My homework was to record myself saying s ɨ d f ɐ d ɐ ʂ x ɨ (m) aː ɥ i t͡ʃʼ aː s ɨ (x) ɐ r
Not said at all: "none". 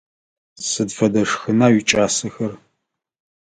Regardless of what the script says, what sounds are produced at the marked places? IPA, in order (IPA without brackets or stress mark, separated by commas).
n, x